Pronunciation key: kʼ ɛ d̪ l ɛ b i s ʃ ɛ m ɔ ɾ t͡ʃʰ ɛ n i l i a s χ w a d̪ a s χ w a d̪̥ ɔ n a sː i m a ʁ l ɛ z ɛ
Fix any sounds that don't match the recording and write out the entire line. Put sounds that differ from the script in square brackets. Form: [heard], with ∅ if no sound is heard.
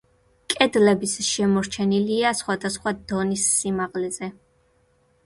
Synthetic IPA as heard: kʼ ɛ d̪ l ɛ b i s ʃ ɛ m ɔ ɾ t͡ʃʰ ɛ n i l i a s χ w a d̪ a s χ w a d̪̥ ɔ n [i] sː i m a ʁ l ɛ z ɛ